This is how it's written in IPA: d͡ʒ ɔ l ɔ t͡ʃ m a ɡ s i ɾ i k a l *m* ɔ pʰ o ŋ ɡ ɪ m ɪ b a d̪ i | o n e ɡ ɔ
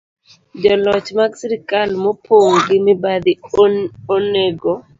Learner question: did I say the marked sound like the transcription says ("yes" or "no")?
yes